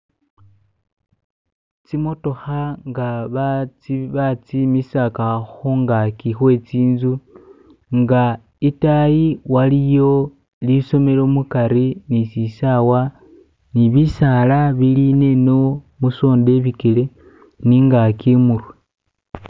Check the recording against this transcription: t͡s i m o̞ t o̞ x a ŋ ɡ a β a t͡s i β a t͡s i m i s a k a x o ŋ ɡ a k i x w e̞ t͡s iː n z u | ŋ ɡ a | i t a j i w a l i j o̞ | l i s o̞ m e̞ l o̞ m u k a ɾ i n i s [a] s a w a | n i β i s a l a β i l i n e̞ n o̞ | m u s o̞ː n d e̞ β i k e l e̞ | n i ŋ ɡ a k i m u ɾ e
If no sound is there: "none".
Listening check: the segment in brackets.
i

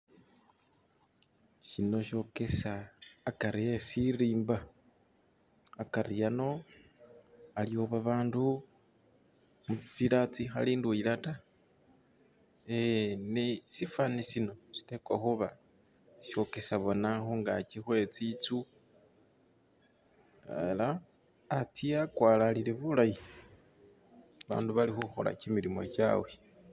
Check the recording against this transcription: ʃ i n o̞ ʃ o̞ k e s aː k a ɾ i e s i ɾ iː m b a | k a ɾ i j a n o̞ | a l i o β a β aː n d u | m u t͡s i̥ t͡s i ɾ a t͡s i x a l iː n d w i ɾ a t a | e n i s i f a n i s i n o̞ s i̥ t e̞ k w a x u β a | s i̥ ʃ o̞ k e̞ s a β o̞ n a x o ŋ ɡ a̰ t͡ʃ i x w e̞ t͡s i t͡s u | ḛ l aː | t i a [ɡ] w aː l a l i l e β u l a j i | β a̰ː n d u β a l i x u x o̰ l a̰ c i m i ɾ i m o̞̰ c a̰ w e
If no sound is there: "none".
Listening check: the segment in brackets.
k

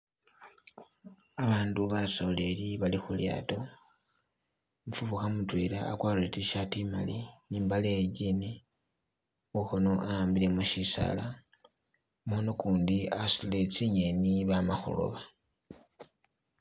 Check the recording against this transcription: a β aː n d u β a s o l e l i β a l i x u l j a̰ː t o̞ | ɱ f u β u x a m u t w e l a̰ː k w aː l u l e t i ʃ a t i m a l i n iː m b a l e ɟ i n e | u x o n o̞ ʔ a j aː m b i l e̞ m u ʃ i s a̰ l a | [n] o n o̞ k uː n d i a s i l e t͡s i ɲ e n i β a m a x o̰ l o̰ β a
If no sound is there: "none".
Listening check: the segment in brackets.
m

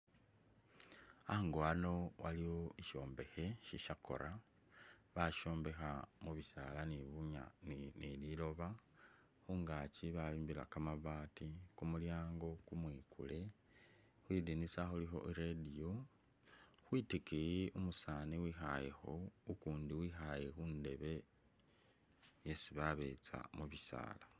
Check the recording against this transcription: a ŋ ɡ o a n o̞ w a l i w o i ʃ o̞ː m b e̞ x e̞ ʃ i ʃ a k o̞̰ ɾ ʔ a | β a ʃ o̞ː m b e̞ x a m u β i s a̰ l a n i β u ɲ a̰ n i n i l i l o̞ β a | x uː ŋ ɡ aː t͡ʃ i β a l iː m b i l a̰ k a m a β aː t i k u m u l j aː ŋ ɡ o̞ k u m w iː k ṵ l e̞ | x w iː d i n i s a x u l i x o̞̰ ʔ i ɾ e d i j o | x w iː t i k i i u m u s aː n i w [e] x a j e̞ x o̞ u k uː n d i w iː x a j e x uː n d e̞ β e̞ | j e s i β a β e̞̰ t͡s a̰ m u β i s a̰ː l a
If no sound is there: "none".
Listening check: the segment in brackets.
i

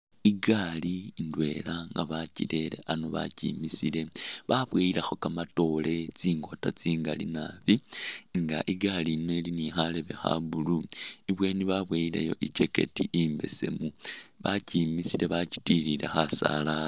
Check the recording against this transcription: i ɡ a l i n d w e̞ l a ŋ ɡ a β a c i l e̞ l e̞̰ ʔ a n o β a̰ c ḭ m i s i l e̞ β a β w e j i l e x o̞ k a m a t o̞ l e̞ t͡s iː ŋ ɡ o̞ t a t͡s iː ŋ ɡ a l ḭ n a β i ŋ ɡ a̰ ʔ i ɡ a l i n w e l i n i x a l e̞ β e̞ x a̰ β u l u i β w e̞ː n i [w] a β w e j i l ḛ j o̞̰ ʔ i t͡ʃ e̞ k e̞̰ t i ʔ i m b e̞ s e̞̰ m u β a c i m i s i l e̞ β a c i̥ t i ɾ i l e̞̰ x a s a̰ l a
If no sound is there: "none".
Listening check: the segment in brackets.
β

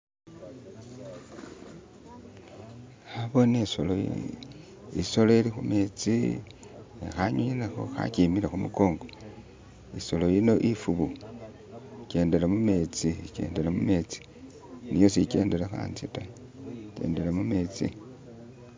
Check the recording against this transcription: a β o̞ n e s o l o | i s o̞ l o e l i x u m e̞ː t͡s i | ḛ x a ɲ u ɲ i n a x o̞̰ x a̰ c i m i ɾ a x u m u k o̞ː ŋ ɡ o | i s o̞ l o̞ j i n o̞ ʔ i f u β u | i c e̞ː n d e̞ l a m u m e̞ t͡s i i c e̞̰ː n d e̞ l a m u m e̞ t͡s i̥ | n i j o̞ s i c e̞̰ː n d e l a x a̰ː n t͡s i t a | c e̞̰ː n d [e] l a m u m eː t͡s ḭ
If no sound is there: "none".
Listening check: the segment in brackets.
e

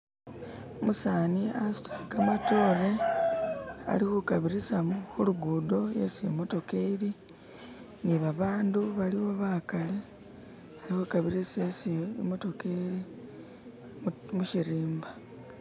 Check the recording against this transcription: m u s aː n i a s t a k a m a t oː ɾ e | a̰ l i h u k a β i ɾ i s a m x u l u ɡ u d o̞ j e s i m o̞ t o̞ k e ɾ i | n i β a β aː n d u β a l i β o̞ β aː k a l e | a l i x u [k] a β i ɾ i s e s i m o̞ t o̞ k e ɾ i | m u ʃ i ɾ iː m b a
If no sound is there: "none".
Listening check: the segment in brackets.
k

